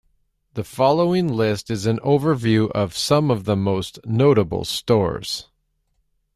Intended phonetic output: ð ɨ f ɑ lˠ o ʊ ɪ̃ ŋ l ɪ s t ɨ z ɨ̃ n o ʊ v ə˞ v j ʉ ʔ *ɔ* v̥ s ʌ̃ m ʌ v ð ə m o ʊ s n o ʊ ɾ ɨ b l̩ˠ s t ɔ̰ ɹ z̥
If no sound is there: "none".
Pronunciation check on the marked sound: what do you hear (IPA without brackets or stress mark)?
ʌ